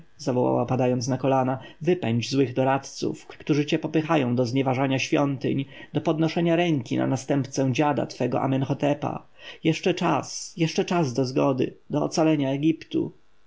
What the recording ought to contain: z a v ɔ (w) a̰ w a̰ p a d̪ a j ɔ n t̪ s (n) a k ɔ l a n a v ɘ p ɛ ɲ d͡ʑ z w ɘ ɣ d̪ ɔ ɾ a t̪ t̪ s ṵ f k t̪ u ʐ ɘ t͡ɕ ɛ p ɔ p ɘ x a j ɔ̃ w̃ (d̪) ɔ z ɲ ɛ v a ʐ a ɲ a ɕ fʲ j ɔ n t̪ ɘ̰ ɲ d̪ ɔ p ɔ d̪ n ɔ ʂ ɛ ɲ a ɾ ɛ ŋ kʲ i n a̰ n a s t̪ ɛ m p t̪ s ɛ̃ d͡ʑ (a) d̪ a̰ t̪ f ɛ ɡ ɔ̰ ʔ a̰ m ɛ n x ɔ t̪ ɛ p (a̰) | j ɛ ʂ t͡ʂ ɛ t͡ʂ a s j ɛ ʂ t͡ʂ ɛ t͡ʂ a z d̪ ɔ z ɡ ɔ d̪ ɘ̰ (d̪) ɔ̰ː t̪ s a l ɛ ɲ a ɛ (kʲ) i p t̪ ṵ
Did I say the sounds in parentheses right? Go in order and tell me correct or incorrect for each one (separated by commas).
correct, correct, correct, correct, correct, correct, incorrect